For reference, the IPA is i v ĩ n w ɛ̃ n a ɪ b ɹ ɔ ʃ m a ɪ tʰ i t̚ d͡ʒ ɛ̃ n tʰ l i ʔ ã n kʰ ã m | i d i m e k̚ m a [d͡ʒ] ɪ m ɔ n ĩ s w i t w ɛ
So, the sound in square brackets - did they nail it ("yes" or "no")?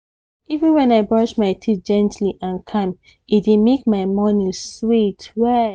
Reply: no